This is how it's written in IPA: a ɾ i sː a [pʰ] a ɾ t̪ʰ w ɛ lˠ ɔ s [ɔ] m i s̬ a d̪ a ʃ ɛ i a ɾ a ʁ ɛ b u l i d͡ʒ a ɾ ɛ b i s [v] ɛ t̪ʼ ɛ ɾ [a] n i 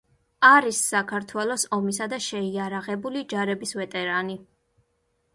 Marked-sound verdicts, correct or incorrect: incorrect, correct, correct, correct

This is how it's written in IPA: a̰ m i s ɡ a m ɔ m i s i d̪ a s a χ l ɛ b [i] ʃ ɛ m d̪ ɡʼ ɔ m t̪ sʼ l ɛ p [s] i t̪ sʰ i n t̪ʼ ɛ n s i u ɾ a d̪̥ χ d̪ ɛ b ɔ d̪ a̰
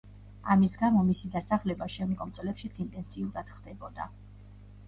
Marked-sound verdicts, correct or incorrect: incorrect, incorrect

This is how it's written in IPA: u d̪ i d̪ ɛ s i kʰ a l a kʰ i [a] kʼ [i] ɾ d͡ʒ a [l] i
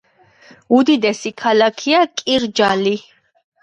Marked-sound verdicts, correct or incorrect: correct, correct, correct

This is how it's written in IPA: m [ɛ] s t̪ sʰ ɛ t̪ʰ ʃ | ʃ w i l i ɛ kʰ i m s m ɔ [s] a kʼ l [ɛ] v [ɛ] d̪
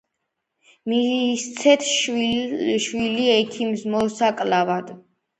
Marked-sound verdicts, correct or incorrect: incorrect, correct, incorrect, incorrect

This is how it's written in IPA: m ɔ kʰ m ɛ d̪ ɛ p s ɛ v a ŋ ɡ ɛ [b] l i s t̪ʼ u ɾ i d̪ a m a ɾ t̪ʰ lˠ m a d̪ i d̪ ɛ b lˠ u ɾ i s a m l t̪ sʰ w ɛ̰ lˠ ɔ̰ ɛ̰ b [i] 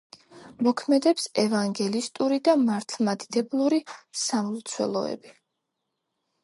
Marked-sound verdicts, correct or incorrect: incorrect, correct

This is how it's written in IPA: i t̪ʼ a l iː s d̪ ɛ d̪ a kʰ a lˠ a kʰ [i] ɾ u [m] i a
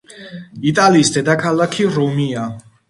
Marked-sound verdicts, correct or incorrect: correct, correct

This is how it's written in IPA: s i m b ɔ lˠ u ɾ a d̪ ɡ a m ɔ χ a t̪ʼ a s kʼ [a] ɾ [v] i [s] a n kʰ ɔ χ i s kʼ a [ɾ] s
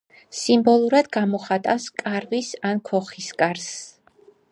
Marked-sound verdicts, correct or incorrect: correct, correct, correct, correct

